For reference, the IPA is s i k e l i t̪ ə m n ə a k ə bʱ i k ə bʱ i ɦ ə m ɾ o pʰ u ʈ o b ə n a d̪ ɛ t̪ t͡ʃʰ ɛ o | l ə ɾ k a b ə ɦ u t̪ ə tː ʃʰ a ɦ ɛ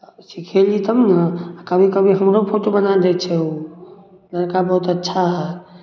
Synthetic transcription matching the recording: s i kʰ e l i t̪ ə m n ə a k ə bʱ i k ə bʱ i ɦ ə m ɾ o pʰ o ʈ o b ə n a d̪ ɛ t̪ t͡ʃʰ ɛ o | l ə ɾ k a b ə ɦ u t̪ ə tː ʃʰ a ɦ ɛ